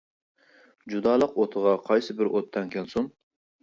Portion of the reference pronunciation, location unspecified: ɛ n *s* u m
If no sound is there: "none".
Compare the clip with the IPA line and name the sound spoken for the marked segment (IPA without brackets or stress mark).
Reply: s